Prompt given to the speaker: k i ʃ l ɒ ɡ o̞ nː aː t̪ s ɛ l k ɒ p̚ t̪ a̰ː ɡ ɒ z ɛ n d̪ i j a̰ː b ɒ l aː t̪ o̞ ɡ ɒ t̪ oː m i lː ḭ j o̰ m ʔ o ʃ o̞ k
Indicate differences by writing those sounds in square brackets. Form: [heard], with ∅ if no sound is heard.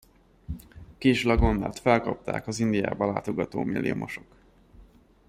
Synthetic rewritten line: k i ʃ l ɒ ɡ o̞ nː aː t̪ [f] ɛ l k ɒ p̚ t̪ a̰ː [k] ɒ z [i] n d̪ i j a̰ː b ɒ l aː t̪ o̞ ɡ ɒ t̪ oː m i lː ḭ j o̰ m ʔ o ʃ o̞ k